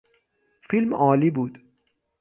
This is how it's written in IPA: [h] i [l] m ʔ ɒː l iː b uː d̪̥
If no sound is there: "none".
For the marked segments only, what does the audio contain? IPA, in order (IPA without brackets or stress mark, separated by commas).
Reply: f, l